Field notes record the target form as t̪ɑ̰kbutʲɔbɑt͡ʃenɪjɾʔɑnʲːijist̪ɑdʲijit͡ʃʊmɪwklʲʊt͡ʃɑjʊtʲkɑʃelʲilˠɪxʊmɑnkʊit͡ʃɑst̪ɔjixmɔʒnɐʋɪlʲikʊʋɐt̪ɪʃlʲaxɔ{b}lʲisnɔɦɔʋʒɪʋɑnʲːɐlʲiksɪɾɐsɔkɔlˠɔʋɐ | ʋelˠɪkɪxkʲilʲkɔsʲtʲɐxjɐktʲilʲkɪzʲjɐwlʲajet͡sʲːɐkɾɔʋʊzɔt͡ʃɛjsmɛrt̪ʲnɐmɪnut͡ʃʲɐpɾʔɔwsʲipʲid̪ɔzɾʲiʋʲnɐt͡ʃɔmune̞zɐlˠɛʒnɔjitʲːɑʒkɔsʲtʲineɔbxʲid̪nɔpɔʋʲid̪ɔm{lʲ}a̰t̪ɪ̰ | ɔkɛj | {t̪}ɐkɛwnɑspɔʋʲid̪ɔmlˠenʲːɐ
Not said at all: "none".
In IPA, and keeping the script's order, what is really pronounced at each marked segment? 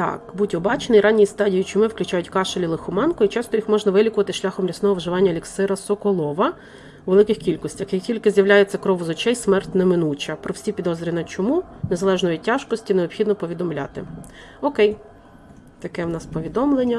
m, lʲ, t̪

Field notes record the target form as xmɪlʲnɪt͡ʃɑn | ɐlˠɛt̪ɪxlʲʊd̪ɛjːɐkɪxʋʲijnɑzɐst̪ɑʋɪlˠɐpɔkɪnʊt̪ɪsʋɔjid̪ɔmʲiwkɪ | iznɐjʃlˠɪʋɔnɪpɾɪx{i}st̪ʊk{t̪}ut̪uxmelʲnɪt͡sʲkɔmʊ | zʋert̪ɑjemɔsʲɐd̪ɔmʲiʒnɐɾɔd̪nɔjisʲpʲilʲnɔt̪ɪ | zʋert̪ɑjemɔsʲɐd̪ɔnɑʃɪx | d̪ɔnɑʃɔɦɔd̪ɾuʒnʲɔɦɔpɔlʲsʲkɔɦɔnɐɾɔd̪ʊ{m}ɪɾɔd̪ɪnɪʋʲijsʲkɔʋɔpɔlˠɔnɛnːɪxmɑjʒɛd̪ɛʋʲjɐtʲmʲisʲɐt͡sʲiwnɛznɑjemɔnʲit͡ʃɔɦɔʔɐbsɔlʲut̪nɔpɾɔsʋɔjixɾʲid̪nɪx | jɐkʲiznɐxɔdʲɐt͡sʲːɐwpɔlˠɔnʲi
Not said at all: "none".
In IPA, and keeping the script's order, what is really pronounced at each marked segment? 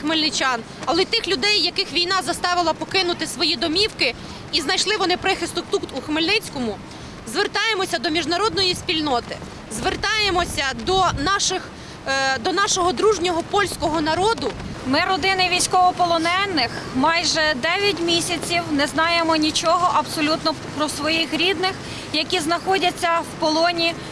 ɪ, t̪, m

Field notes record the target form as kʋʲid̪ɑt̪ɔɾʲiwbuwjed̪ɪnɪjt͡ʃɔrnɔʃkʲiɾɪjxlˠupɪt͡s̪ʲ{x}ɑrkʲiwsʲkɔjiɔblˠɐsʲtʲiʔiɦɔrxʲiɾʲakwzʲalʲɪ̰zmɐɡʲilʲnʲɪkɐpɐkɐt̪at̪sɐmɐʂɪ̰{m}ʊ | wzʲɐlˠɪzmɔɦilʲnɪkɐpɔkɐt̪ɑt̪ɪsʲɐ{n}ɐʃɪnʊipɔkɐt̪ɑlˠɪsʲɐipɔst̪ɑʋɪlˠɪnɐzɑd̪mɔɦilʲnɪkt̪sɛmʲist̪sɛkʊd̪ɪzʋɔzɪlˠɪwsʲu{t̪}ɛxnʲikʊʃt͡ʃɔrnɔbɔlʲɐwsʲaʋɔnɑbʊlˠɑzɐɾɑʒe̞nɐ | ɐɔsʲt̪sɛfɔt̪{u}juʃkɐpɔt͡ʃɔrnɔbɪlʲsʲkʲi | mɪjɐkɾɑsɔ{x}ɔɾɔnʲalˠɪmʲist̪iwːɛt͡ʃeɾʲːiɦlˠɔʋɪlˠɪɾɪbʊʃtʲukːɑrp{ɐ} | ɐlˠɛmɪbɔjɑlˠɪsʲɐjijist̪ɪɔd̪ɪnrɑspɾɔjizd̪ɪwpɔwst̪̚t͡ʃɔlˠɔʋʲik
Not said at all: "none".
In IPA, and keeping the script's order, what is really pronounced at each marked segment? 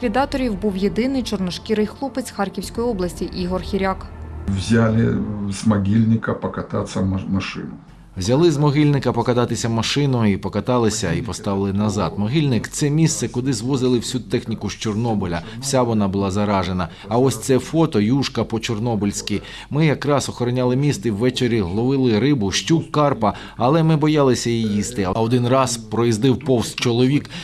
x, n, m, t̪, ɔ, x, ɐ

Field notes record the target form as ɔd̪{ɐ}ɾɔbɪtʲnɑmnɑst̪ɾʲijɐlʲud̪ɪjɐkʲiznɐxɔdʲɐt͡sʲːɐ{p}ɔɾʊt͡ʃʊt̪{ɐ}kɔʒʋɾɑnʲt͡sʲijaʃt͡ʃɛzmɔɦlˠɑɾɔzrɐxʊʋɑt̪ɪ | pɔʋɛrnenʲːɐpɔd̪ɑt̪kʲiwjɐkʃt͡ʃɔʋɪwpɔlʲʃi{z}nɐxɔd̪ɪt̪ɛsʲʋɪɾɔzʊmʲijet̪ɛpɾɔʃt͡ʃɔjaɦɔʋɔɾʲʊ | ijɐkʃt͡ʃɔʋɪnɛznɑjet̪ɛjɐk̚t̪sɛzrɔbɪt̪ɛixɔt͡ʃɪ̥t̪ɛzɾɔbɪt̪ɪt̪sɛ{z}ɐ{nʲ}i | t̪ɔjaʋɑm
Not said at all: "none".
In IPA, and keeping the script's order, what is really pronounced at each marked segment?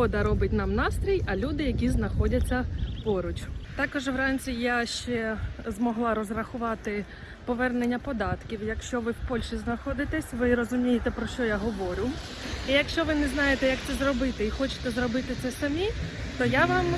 ɐ, p, ɑ, z, s, mʲ

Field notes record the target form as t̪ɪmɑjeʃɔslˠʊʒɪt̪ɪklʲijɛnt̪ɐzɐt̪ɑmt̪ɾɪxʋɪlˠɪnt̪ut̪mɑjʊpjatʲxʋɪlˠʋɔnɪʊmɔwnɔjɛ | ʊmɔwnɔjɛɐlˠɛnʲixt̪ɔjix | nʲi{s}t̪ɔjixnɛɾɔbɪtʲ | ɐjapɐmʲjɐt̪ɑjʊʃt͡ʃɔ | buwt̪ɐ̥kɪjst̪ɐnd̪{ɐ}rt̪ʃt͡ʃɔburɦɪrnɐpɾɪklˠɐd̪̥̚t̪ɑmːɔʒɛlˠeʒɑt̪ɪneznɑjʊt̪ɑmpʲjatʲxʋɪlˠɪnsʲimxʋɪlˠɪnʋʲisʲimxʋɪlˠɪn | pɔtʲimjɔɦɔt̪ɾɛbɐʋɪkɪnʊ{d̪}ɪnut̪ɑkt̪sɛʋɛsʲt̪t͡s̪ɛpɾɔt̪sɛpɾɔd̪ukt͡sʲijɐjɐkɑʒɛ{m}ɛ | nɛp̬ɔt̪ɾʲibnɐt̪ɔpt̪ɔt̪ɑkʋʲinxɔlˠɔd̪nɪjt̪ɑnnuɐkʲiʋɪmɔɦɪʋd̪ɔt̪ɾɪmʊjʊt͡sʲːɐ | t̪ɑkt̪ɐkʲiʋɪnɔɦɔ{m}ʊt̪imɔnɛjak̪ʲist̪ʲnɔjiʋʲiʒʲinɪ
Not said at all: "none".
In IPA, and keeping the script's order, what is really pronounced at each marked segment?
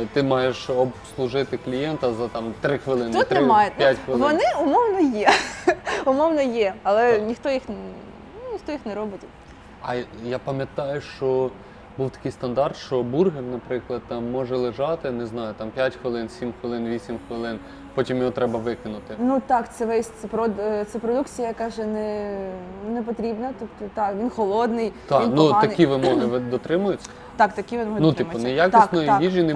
x, ɑ, t̪, n, n

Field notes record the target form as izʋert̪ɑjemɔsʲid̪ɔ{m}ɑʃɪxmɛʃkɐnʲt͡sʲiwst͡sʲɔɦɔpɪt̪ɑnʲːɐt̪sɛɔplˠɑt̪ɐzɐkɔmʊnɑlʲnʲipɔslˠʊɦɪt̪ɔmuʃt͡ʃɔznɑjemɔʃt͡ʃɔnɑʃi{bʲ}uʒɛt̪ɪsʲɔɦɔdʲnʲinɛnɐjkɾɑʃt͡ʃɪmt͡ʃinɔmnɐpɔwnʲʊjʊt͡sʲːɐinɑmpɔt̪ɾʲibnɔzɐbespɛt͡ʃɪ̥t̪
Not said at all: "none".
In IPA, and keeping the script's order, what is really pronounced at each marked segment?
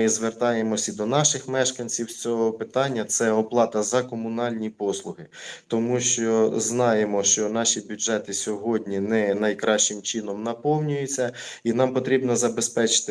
n, bʲ

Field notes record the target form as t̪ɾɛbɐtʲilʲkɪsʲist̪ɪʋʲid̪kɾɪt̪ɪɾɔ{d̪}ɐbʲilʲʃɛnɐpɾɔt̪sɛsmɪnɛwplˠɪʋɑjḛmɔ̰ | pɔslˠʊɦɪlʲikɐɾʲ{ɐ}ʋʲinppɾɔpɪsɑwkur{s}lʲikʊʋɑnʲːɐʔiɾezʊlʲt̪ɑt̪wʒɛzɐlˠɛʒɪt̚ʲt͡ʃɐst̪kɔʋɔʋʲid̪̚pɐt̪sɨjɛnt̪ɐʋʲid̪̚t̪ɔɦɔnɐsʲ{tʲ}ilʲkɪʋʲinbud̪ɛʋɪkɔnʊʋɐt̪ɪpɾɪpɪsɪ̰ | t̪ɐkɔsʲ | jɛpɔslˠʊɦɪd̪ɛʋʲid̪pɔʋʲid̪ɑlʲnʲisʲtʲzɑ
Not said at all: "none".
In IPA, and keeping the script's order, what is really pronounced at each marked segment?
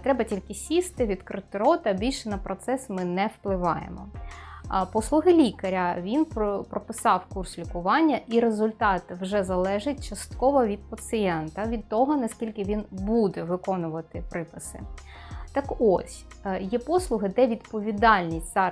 t̪, ɐ, s, kʲ

